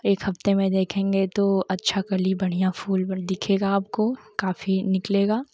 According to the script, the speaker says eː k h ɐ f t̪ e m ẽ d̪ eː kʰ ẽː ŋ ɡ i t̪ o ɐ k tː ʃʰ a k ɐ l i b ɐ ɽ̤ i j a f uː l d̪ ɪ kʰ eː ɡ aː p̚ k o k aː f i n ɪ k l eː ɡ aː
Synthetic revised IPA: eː k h ɐ f t̪ e m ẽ d̪ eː kʰ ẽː ŋ ɡ e t̪ o ɐ tː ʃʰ a k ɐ l i b ɐ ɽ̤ i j a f uː l d̪ ɪ kʰ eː ɡ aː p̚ k o k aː f i n ɪ k l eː ɡ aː